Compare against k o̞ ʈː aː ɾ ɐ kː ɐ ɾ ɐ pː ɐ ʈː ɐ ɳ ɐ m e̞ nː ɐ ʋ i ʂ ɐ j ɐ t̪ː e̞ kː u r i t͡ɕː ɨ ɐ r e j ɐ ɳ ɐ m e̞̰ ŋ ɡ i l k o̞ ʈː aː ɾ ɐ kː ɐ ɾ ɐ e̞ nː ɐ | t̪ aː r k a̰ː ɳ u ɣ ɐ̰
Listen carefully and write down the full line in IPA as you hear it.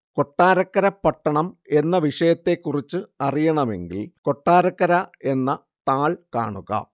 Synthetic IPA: k o̞ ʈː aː ɾ ɐ kː ɐ ɾ ɐ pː ɐ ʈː ɐ ɳ ɐ m e̞ nː ɐ ʋ i ʂ ɐ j ɐ t̪ː e̞ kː u r i t͡ɕː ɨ ɐ r i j ɐ ɳ ɐ m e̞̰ ŋ ɡ i l k o̞ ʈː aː ɾ ɐ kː ɐ ɾ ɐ e̞ nː ɐ | t̪ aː ɭ k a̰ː ɳ u ɣ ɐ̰